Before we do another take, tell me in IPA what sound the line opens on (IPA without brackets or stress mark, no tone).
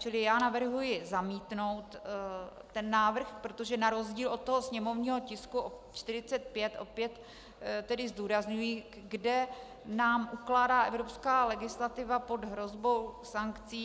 t͡ʃ